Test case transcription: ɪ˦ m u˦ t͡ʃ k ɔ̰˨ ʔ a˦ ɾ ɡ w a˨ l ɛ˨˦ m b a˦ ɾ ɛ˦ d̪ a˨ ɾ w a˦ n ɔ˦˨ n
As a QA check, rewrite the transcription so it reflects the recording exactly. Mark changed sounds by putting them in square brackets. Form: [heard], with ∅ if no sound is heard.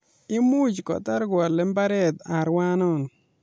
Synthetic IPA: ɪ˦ m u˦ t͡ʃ k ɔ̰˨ [t] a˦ ɾ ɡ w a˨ l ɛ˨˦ m b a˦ ɾ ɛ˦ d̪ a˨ ɾ w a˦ n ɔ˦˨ n